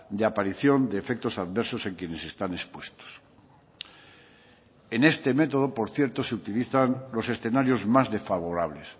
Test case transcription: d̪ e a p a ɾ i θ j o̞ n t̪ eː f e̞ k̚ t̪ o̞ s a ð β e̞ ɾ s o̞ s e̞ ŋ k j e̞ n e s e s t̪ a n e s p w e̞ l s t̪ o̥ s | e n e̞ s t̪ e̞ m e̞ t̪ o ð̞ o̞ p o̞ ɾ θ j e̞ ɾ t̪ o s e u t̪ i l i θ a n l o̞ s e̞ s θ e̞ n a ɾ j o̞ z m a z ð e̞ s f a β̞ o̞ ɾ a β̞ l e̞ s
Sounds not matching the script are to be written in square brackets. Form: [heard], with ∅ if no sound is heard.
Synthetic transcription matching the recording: d̪ e a p a ɾ i θ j o̞ n [d̪] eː f e̞ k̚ t̪ o̞ s a ð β e̞ ɾ s o̞ s e̞ ŋ k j e̞ n e s e s t̪ a n e s p w e̞ [∅] s t̪ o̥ s | e n e̞ s t̪ e̞ m e̞ t̪ o ð̞ o̞ p o̞ ɾ θ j e̞ ɾ t̪ o s e u t̪ i l i θ a n l o̞ s e̞ s θ e̞ n a ɾ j o̞ z m a z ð e̞ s f a β̞ o̞ ɾ a β̞ l e̞ s